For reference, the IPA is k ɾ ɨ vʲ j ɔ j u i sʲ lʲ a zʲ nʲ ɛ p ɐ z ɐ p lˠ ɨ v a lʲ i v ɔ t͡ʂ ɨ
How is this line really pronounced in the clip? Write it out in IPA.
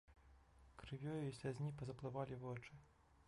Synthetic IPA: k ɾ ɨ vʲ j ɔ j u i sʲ lʲ a zʲ nʲ i p ɐ z ɐ p lˠ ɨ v a lʲ i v ɔ t͡ʂ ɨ